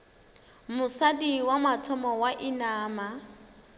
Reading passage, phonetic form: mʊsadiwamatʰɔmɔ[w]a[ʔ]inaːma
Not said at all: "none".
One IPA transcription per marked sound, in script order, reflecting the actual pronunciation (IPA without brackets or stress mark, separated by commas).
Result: w, ʔ